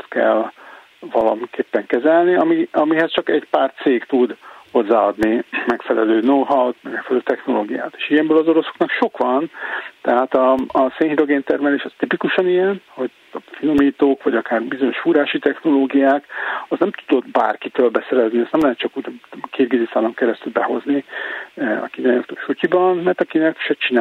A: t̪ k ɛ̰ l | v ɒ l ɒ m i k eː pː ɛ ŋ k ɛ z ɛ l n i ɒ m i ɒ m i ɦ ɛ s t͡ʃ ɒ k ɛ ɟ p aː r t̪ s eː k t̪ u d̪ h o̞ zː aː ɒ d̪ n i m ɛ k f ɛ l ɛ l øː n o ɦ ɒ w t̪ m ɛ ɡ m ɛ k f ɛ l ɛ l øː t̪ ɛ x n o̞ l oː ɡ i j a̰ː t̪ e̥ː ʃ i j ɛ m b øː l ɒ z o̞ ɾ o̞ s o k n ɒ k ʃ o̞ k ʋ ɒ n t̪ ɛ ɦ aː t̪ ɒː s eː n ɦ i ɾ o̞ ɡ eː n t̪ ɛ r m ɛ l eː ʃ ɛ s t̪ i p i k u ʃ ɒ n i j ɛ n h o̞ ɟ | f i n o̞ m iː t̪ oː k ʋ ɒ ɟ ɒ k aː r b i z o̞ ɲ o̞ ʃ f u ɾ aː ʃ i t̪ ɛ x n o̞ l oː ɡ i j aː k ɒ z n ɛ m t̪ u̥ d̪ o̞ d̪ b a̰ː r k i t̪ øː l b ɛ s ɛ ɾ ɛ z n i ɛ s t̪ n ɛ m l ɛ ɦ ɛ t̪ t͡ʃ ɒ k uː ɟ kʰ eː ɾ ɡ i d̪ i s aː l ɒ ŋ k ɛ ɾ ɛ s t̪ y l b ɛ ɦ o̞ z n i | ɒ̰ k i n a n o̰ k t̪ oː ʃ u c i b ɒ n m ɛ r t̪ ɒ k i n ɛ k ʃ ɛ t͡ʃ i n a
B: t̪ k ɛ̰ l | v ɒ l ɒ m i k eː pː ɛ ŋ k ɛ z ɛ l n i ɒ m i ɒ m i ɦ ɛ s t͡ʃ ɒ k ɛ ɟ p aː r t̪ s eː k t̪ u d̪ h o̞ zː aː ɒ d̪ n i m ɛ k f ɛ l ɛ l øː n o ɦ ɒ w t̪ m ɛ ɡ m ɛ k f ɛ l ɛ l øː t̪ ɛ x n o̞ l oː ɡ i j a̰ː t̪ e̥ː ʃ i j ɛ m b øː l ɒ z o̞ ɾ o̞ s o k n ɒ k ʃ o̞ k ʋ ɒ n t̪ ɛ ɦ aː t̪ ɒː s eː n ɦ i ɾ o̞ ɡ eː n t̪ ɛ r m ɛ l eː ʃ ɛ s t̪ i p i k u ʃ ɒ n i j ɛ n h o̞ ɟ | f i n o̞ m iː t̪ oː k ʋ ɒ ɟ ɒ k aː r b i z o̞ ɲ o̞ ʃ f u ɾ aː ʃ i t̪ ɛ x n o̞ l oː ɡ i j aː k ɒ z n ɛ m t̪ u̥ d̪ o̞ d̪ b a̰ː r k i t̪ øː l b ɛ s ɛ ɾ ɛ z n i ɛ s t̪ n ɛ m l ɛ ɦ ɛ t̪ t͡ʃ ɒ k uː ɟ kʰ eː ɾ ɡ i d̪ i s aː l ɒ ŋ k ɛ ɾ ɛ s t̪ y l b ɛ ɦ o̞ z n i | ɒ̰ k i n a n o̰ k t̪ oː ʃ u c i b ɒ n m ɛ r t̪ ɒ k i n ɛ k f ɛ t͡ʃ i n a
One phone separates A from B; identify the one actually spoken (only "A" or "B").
A